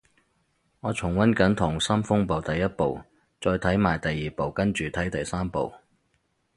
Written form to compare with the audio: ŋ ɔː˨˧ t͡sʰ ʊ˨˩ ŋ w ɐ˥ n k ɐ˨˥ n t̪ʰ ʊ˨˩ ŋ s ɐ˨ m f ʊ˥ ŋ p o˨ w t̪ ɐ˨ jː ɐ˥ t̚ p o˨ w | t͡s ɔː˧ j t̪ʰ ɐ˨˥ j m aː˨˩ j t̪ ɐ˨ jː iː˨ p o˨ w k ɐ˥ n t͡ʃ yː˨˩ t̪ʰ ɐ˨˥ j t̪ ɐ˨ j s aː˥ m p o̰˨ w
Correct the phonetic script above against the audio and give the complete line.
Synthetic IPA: ŋ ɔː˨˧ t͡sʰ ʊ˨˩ ŋ w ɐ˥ n k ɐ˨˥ n t̪ʰ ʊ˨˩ ŋ s ɐ˥ m f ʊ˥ ŋ p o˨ w t̪ ɐ˨ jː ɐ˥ t̚ p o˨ w | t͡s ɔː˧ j t̪ʰ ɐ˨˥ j m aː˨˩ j t̪ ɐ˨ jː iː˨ p o˨ w k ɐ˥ n t͡ʃ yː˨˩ t̪ʰ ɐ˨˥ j t̪ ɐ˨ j s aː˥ m p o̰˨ w

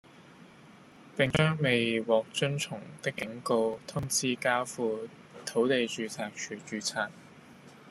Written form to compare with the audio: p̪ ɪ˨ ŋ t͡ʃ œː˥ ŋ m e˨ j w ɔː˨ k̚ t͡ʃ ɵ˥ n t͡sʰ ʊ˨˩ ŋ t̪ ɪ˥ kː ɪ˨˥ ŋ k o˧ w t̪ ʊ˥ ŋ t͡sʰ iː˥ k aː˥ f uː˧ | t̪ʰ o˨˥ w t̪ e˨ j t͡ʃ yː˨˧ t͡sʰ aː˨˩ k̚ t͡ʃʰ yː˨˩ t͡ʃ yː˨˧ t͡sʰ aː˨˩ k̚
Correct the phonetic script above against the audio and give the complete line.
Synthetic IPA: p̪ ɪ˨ ŋ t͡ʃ œː˥ ŋ m e˨ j w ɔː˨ k̚ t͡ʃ ɵ˥ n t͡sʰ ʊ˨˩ ŋ t̪ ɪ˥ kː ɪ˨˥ ŋ k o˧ w t̪ʰ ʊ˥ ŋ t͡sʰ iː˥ k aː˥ f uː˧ | t̪ʰ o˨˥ w t̪ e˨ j t͡ʃ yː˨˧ t͡sʰ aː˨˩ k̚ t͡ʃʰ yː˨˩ t͡ʃ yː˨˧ t͡sʰ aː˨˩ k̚

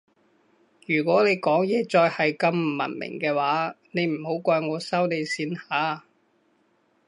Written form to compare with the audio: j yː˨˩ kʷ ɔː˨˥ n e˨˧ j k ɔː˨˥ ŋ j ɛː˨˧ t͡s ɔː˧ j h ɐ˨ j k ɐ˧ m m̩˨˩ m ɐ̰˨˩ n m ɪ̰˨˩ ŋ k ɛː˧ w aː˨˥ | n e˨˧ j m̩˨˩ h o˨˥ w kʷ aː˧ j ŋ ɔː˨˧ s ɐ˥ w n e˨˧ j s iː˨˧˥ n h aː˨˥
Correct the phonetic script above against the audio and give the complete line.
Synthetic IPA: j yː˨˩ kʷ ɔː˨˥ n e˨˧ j k ɔː˨˥ ŋ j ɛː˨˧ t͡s ɔː˧ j h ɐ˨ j k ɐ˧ m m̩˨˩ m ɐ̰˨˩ n m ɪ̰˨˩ ŋ k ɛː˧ w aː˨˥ | n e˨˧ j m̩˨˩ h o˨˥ w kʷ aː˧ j ŋ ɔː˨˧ s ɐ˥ w n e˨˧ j s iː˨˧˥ n h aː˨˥

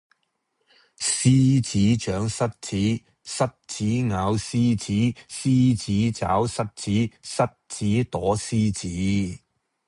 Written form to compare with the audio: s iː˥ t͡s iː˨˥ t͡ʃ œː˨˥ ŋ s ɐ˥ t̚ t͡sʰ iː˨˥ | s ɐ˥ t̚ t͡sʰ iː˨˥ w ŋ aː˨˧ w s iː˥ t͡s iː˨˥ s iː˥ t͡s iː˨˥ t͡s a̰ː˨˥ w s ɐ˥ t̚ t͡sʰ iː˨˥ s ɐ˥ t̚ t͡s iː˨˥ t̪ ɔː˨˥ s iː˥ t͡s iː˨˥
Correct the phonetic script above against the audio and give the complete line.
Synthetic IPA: s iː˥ t͡s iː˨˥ t͡ʃ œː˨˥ ŋ s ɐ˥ t̚ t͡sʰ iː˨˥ | s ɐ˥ t̚ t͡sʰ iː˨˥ ŋ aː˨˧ w s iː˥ t͡s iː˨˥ s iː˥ t͡s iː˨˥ t͡s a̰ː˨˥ w s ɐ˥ t̚ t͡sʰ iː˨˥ s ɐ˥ t̚ t͡s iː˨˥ t̪ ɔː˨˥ s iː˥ t͡s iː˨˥

